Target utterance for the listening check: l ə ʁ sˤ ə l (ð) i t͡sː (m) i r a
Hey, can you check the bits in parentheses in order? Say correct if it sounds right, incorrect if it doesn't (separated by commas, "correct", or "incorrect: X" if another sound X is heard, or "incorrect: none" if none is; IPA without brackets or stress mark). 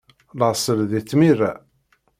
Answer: correct, correct